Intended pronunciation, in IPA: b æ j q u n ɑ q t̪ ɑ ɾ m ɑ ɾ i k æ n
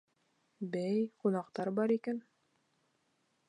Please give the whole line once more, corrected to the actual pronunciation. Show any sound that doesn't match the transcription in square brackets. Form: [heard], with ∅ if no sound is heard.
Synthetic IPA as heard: b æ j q u n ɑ q t̪ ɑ ɾ [b] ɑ ɾ i k æ n